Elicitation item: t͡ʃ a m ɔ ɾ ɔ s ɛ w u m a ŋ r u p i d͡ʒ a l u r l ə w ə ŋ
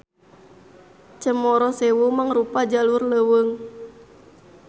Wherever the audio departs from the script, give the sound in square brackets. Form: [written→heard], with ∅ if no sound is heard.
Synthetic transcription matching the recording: t͡ʃ [a→ə] m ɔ ɾ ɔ s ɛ w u m a ŋ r u p [i→a] d͡ʒ a l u r l ə w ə ŋ